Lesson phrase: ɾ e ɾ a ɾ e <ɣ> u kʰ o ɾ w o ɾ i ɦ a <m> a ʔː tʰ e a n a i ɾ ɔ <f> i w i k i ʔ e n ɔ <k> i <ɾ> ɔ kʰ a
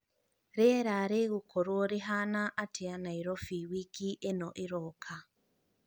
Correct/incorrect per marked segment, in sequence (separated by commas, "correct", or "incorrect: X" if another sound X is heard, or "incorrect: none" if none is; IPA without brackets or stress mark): correct, incorrect: n, correct, incorrect: ʔ, correct